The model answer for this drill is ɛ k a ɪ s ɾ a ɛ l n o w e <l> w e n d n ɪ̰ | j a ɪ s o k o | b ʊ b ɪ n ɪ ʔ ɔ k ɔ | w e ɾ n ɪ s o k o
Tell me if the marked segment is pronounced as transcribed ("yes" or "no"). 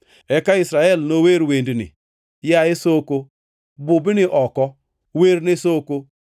no